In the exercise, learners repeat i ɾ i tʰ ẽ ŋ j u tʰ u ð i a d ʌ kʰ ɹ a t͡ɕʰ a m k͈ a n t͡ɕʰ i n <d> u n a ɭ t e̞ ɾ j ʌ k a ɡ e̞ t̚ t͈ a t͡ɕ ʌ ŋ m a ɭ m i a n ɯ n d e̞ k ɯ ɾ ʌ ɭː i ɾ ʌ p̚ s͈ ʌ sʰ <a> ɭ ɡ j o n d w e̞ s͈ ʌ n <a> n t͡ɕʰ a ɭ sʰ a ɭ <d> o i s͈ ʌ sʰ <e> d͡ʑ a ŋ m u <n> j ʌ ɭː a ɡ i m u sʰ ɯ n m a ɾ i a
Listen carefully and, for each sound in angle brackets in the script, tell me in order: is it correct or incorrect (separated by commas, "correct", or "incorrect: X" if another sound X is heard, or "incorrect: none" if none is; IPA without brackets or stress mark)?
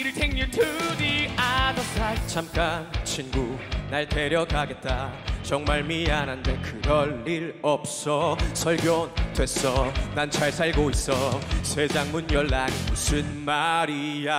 incorrect: ɡ, incorrect: ʌ, correct, incorrect: ɡ, correct, correct